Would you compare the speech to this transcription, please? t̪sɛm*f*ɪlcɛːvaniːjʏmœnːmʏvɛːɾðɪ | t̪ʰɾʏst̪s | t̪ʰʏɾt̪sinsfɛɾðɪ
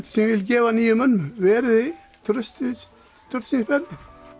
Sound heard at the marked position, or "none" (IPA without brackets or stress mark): v